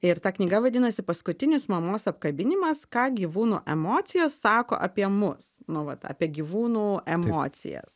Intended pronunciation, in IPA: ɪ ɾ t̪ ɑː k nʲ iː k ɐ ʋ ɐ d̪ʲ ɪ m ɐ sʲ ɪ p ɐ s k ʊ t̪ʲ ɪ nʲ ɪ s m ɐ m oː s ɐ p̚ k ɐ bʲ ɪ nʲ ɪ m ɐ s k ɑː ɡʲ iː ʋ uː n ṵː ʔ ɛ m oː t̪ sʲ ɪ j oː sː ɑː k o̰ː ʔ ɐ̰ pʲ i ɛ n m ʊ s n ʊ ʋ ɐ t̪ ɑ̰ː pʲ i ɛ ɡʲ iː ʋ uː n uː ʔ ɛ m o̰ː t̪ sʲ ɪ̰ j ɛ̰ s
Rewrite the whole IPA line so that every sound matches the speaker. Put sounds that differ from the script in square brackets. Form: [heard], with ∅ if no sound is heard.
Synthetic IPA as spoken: ɪ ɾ t̪ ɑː k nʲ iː [ɡ] ɐ ʋ ɐ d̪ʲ ɪ [n] ɐ sʲ ɪ p ɐ s k ʊ t̪ʲ ɪ nʲ ɪ s m ɐ m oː s ɐ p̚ k ɐ bʲ ɪ nʲ ɪ m ɐ s k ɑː ɡʲ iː ʋ uː n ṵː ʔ ɛ m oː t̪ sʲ ɪ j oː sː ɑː k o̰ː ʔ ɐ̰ pʲ i ɛ [∅] m ʊ s n ʊ ʋ ɐ t̪ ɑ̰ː pʲ i ɛ ɡʲ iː ʋ uː n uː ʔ ɛ m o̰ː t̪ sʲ ɪ̰ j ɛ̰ s